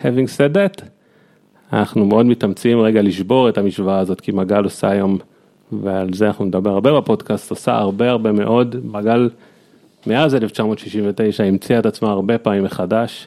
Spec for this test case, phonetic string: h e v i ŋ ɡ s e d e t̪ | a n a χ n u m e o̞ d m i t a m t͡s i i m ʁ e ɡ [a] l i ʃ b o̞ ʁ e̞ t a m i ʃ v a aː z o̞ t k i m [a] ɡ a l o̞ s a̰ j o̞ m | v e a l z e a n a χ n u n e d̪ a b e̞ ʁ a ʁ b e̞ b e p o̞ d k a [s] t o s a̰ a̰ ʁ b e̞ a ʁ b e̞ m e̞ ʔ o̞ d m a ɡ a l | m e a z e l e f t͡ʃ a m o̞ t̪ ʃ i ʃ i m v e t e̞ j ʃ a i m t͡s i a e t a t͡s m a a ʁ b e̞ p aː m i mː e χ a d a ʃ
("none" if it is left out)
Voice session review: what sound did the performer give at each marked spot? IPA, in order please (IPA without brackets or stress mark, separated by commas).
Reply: a, a, s